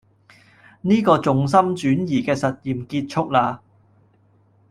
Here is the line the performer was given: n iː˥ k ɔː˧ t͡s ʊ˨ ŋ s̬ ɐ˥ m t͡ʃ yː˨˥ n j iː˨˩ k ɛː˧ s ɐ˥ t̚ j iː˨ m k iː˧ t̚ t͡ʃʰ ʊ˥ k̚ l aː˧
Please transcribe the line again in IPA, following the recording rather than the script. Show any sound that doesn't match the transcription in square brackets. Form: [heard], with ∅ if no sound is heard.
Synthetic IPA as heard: n iː˥ k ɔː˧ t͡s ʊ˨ ŋ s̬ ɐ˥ m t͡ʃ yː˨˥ n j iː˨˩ k ɛː˧ s [ɐ˨] t̚ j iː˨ m k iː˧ t̚ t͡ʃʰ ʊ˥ k̚ l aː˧